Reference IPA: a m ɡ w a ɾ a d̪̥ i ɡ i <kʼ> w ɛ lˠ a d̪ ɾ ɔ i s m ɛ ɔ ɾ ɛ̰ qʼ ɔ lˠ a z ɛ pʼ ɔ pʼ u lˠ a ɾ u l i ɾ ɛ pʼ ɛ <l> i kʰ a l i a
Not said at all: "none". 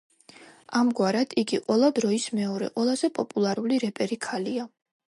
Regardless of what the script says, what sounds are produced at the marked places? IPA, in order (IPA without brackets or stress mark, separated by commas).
qʼ, ɾ